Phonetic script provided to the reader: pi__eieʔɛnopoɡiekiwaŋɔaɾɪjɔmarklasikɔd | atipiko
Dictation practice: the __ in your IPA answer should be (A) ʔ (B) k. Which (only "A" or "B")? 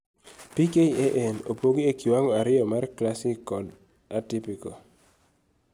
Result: B